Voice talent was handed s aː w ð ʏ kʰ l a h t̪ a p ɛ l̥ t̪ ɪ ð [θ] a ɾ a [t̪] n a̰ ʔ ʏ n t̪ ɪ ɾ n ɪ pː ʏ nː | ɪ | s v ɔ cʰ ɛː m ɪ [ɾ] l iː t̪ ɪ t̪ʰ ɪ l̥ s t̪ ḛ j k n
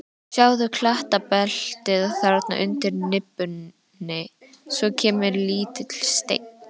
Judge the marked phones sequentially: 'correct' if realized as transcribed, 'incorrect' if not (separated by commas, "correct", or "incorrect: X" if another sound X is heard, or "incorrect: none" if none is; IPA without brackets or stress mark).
correct, correct, correct